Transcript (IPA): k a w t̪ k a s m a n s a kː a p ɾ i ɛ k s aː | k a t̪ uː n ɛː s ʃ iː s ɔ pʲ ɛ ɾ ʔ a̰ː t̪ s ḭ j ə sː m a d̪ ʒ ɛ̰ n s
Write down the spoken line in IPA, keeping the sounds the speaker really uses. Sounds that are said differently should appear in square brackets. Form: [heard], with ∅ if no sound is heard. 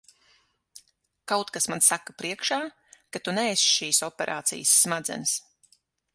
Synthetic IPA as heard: k a w t̪ k a s m a n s a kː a p ɾ i ɛ k [ʃ] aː | k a t̪ [u] n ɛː s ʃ iː s ɔ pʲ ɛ ɾ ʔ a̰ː t̪ s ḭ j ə sː m a d̪ [z] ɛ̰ n s